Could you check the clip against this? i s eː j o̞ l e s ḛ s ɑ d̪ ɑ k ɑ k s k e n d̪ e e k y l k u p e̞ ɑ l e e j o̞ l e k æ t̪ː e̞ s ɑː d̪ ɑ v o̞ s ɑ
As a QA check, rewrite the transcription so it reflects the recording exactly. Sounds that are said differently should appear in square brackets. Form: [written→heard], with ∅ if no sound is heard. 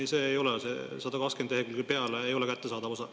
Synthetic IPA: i s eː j o̞ l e s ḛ s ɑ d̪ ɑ k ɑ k s k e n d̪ e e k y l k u p e̞ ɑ l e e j o̞ l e k æ t̪ː e̞ s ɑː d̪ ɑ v o̞ s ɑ

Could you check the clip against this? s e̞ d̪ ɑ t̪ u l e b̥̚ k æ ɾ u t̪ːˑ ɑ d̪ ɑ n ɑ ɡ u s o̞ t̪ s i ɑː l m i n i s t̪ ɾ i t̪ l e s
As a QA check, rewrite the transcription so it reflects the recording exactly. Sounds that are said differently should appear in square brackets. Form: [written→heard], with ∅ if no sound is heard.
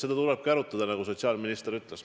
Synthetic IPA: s e̞ d̪ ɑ t̪ u l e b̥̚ k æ ɾ u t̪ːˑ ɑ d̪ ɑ n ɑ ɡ u s o̞ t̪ s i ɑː l m i n i s t̪ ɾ [i→y] t̪ l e s

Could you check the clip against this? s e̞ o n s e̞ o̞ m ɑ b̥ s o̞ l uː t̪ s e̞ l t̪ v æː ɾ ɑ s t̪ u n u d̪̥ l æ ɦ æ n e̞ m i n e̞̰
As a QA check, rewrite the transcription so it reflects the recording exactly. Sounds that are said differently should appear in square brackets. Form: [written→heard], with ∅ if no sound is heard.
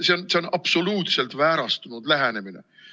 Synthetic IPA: s e̞ o n s e̞ o̞ [m→n] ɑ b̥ s o̞ l uː t̪ s e̞ l t̪ v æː ɾ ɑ s t̪ u n u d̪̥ l æ ɦ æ n e̞ m i n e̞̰

